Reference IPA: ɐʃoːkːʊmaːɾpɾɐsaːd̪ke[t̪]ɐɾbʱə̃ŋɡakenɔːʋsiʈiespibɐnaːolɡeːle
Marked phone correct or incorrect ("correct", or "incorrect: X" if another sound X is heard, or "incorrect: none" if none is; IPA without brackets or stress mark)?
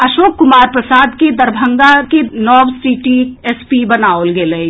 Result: incorrect: d̪